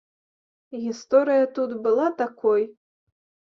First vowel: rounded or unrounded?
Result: unrounded